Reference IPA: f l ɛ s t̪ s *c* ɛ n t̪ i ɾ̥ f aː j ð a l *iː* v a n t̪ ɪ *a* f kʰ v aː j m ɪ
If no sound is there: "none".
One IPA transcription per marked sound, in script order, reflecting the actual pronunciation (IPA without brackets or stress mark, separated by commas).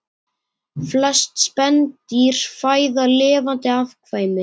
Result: p, ɪː, a